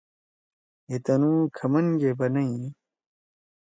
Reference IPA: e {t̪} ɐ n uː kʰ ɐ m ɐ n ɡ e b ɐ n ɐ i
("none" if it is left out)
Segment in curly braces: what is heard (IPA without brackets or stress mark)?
t̪